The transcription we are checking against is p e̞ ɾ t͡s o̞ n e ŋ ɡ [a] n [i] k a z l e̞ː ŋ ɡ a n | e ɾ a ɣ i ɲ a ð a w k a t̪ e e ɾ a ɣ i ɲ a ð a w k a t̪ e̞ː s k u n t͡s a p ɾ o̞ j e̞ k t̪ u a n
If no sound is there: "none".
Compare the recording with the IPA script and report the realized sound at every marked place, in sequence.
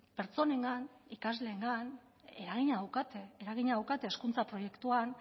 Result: a, i

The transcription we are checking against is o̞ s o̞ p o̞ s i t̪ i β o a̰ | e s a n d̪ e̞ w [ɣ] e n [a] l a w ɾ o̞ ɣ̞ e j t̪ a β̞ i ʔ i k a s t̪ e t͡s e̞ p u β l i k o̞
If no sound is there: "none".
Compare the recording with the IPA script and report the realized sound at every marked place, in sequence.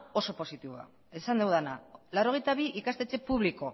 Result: ð, a

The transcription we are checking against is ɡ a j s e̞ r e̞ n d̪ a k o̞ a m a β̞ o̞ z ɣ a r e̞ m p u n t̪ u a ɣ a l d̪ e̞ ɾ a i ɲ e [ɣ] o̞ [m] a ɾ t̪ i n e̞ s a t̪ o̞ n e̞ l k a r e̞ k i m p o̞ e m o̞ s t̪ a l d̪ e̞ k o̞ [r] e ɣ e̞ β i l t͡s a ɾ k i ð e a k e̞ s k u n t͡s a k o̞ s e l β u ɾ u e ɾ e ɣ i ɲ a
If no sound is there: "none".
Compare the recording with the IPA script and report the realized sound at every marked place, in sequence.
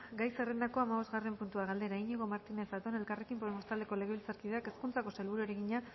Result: ɣ, m, l

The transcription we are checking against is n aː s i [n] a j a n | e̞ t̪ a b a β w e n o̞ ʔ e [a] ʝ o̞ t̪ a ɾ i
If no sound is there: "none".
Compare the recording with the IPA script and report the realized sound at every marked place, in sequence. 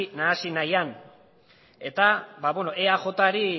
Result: n, a

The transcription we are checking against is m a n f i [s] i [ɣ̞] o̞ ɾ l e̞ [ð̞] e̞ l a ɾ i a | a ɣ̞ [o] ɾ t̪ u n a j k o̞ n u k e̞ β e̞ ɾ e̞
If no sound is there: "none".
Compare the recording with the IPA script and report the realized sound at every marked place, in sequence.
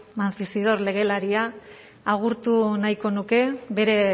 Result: s, ð̞, ɣ̞, u

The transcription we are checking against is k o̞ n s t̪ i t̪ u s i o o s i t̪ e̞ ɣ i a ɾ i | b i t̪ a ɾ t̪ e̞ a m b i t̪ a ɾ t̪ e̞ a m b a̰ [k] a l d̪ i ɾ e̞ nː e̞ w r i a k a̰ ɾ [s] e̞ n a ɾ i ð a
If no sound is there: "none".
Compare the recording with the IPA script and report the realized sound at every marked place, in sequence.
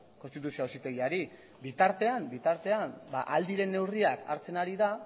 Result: ʔ, t͡s

